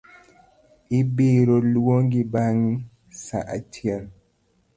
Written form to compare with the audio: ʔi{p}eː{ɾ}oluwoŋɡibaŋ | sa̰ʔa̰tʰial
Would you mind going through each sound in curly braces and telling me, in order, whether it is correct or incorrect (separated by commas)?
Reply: incorrect, correct